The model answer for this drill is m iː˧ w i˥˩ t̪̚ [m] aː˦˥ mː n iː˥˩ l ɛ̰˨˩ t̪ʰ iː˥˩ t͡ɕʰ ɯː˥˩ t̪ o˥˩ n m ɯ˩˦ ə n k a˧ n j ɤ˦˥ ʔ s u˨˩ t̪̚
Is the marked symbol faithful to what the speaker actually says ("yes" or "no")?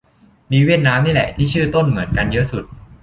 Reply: no